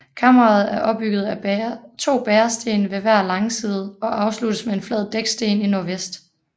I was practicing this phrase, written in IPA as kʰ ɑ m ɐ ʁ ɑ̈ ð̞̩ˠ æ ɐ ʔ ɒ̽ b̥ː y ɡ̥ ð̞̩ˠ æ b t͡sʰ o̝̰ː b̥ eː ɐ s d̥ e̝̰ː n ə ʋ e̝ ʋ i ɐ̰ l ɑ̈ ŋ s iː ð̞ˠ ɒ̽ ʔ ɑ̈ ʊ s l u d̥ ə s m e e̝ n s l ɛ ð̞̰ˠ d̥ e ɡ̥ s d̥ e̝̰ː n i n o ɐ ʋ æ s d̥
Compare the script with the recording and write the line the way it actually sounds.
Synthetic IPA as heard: kʰ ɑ m ɐ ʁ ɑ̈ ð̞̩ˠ æ ɐ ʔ ɒ̽ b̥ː y ɡ̥ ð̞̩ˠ æ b t͡sʰ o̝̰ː b̥ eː ɐ s d̥ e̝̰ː n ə ʋ e̝ ʋ æ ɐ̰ l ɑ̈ ŋ s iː ð̞ˠ ɒ̽ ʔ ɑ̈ ʊ s l u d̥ ə s m e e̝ n f l ɛ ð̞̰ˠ d̥ e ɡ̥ s d̥ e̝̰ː n i n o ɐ ʋ e s d̥

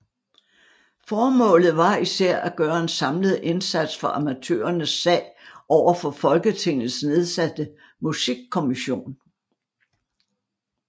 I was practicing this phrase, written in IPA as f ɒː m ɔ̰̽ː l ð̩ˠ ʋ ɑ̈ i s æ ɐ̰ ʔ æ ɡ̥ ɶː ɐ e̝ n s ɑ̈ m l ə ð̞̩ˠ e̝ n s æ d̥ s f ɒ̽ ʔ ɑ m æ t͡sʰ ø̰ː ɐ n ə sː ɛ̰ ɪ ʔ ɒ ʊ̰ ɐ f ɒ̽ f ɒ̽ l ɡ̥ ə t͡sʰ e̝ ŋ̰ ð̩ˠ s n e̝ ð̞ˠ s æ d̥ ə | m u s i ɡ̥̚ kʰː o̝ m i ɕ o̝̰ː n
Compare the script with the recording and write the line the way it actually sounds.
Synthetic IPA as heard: f ɒː m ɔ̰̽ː l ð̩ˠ ʋ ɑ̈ i s æ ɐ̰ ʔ æ ɡ̥ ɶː ɐ e̝ n s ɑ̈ m l ə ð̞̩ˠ e̝ n s æ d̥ s f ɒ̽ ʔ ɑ m æ t͡sʰ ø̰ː ɐ n ə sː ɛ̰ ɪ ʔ ɒ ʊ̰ ɐ f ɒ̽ f ɒ̽ l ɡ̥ ə t͡sʰ e̝ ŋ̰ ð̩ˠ s n e̝ ð̞ˠ s æ d̥ ə | m u s i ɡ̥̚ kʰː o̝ m i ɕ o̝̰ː n

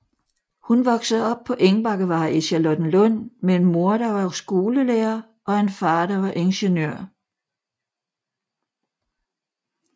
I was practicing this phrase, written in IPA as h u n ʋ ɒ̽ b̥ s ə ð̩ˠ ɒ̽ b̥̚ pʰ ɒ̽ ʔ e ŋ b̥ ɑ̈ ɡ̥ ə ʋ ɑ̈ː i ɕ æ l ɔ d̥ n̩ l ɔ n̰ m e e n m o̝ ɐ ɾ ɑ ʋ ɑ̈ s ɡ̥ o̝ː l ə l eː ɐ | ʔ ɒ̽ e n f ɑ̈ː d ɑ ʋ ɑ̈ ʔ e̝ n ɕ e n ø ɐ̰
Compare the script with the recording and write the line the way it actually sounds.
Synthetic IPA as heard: h u n ʋ ɒ̽ ɡ̥ s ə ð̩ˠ ɒ̽ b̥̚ pʰ ɒ̽ ʔ e ŋ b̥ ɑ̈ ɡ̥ ə ʋ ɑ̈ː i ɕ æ l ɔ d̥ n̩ l ɔ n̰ m e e n m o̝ ɐ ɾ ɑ ʋ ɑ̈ s ɡ̥ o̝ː l ə l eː ɐ | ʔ ɒ̽ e n f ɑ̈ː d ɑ ʋ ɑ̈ ʔ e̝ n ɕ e n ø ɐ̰

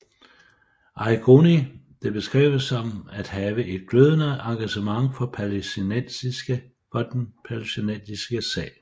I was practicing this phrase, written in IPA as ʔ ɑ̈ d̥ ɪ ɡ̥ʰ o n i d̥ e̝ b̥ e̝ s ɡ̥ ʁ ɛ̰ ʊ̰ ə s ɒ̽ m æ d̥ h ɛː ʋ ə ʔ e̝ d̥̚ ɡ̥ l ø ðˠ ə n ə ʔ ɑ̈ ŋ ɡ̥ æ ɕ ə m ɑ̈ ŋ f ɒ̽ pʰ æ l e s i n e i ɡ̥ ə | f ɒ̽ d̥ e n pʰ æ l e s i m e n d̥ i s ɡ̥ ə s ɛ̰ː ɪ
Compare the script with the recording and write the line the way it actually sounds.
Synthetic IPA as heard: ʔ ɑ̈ ɪ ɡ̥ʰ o n i d̥ e̝ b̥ e̝ s ɡ̥ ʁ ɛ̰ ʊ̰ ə s ɒ̽ m æ d̥ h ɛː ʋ ə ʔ e̝ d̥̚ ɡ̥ l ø ðˠ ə n ə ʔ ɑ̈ ŋ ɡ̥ æ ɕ ə m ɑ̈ ŋ f ɒ̽ pʰ æ l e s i n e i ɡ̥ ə | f ɒ̽ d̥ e n pʰ æ l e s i n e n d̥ i s ɡ̥ ə s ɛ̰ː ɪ

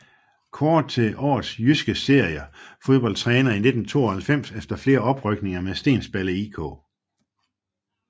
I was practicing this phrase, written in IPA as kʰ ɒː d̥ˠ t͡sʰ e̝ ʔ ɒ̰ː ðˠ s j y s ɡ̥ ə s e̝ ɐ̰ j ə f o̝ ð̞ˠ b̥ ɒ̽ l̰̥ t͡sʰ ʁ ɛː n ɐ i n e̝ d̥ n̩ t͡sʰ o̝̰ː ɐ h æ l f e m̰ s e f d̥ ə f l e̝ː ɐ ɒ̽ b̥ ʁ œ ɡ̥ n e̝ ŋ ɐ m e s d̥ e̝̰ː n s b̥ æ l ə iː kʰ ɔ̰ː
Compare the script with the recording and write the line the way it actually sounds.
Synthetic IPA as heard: kʰ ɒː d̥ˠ t͡sʰ e̝ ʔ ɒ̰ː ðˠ s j y s ɡ̥ ə s e̝ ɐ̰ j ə f o̝ ð̞ˠ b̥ ɒ̽ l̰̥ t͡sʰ ʁ ɛː n ɐ i n e̝ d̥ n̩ t͡sʰ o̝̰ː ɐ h æ l f e m̰ s e f d̥ ɐ f l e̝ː ɐ ɒ̽ b̥ ʁ œ ɡ̥ n e̝ ŋ ɐ m e s d̥ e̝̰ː n s b̥ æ l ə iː kʰ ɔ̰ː

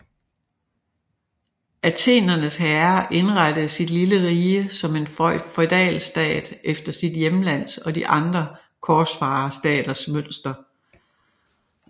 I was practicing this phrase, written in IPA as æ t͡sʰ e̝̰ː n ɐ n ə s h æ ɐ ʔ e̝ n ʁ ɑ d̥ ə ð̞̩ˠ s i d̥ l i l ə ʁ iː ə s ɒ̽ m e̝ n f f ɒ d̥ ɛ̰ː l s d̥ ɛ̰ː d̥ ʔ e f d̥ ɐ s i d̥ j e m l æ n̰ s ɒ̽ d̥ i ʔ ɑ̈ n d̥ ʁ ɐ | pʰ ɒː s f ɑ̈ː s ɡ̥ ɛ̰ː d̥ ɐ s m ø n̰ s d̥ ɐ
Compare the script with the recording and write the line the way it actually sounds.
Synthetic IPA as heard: æ t͡sʰ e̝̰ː n ɐ n ə s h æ ɐ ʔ e̝ n ʁ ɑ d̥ ə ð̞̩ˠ s i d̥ l i l ə ʁ iː ə s ɒ̽ m e̝ n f f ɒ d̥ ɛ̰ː l s d̥ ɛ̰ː d̥ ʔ e f d̥ ɐ s i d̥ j e m l æ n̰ s ɒ̽ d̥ i ʔ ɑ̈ n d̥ ʁ ɐ | kʰ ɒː s f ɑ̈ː s d̥ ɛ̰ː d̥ ɐ s m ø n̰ s d̥ ɐ

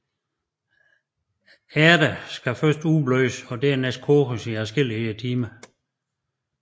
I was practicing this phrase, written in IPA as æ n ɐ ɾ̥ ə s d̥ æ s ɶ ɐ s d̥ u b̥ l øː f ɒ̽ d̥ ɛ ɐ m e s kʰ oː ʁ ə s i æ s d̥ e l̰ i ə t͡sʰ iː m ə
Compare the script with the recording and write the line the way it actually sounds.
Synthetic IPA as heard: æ ɐ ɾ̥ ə s ɡ̥ æ f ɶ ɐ s d̥ u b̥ l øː s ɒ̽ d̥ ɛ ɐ n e s kʰ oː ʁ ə s i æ s ɡ̥ e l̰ i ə t͡sʰ iː m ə

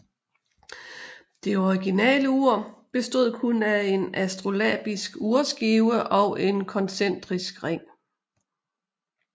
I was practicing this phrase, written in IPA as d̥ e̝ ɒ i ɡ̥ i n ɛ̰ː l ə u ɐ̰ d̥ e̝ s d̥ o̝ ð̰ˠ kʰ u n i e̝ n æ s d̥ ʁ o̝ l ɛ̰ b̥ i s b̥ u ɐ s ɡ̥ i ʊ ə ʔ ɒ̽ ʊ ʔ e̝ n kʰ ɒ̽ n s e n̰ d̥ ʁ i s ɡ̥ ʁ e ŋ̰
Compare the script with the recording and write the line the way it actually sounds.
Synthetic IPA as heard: d̥ e̝ ɒ i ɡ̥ i n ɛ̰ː l ə u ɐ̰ b̥ e̝ s d̥ o̝ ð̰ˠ kʰ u n æ e̝ n æ s d̥ ʁ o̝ l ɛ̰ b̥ i s ɡ̥ u ɐ s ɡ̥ i ʊ ə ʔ ɒ̽ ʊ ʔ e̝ n kʰ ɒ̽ n s e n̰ d̥ ʁ i s ɡ̥ ʁ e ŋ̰

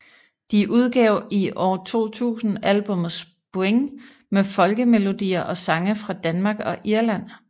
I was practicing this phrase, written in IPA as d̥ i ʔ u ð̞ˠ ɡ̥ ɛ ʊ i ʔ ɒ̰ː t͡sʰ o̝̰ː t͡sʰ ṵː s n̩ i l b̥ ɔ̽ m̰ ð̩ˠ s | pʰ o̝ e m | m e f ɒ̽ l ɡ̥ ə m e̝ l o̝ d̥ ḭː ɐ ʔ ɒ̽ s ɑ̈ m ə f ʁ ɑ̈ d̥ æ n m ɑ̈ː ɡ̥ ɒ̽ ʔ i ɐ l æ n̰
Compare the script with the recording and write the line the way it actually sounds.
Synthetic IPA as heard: d̥ i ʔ u ð̞ˠ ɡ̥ ɛ ʊ i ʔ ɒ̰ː t͡sʰ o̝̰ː t͡sʰ ṵː s n̩ æ l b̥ ɔ̽ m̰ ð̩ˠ s | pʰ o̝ e ŋ | m e f ɒ̽ l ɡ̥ ə m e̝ l o̝ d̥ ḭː ɐ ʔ ɒ̽ s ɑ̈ ŋ ə f ʁ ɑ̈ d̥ æ n m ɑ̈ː ɡ̥ ɒ̽ ʔ i ɐ l æ n̰

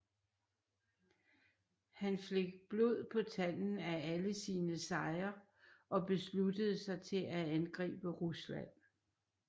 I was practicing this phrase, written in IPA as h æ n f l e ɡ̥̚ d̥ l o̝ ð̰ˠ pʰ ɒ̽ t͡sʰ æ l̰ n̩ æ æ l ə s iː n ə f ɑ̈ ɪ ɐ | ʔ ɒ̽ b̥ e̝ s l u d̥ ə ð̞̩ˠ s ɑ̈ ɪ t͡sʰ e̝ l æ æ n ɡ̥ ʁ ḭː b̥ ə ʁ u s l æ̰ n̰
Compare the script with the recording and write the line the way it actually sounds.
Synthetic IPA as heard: h æ n f l e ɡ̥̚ b̥ l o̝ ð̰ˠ pʰ ɒ̽ t͡sʰ æ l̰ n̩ æ æ l ə s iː n ə s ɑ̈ ɪ ɐ | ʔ ɒ̽ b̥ e̝ s l u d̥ ə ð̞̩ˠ s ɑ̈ ɪ t͡sʰ e̝ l æ æ n ɡ̥ ʁ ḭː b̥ ə ʁ u s l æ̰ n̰

